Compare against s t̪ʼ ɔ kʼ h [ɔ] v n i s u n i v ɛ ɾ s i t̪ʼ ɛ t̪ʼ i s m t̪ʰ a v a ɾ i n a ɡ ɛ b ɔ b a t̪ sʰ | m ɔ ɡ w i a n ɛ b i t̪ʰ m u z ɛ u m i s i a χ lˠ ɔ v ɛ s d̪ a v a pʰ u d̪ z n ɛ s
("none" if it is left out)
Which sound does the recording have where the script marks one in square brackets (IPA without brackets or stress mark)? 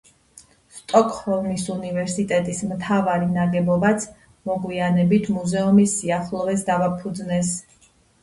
ɔ